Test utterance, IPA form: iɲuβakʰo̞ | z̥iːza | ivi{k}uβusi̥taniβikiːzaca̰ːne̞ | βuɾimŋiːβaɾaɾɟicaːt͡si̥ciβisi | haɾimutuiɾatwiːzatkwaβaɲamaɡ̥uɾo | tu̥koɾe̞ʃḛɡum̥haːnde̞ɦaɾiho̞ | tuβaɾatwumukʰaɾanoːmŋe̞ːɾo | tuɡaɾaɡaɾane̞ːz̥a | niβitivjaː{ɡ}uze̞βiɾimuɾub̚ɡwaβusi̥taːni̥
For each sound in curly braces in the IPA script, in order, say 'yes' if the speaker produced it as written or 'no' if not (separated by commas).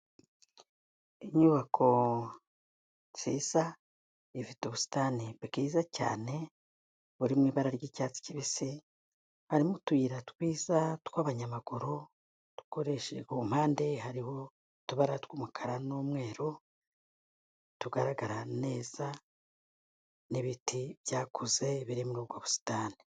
no, no